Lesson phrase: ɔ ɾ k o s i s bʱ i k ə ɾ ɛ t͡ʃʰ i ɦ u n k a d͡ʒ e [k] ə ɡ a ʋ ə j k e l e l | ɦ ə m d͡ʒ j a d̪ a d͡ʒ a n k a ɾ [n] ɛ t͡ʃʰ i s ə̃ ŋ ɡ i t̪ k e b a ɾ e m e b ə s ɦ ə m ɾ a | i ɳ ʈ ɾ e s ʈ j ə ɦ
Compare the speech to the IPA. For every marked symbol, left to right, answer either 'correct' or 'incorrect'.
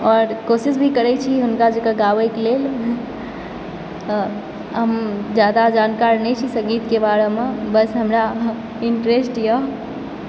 correct, correct

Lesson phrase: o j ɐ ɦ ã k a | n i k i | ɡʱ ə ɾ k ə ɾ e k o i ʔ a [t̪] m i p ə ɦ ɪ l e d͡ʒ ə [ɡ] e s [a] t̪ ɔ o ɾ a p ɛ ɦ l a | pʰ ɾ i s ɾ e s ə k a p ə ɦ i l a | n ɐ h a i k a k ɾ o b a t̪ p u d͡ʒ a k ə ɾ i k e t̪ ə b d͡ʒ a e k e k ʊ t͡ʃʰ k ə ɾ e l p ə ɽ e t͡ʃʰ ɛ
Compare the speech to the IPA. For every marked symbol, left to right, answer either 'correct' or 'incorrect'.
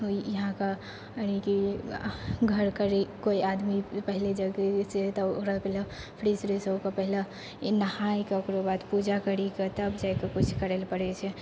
incorrect: d̪, correct, incorrect: e

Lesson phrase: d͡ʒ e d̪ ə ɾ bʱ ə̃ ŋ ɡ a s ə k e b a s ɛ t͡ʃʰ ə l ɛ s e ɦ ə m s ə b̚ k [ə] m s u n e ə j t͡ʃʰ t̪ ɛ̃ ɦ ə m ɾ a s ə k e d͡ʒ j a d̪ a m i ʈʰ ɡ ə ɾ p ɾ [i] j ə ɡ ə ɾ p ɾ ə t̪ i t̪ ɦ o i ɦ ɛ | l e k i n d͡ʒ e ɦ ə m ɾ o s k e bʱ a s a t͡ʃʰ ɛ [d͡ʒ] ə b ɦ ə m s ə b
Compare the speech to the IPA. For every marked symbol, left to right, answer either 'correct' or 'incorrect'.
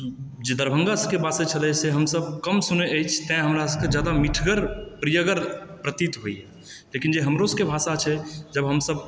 correct, correct, correct

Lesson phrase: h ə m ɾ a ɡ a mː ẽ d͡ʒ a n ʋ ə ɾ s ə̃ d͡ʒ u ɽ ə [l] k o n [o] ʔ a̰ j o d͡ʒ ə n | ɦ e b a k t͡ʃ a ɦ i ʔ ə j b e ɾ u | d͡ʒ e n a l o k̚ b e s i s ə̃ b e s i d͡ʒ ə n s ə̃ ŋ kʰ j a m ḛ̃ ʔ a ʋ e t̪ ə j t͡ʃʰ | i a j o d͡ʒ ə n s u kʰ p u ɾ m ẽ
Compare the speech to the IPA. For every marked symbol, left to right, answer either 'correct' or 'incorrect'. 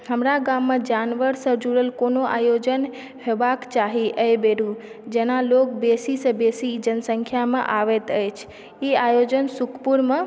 correct, correct

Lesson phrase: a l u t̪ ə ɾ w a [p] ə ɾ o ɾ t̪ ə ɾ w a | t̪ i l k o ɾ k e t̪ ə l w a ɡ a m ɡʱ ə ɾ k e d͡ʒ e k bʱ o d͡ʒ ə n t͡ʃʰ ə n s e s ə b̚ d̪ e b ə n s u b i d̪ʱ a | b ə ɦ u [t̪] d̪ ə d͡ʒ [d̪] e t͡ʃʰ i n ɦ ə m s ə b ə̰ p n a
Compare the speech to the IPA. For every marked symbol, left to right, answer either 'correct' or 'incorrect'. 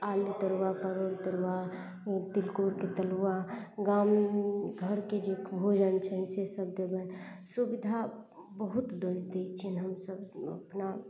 correct, correct, correct

